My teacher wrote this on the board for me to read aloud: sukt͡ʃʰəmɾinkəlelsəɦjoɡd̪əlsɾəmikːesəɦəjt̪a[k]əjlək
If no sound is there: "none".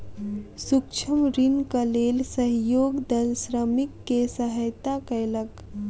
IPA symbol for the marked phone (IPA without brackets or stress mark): k